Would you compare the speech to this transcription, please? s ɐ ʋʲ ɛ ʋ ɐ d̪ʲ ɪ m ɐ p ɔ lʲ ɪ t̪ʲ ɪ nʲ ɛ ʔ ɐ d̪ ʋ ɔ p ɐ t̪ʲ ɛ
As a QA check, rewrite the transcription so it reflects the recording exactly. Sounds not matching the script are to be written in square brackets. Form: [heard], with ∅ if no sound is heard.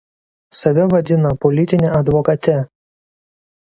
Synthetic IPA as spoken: s ɐ ʋʲ ɛ ʋ ɐ d̪ʲ ɪ [n] ɐ p ɔ lʲ ɪ t̪ʲ ɪ nʲ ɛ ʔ ɐ d̪ ʋ ɔ [k] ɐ t̪ʲ ɛ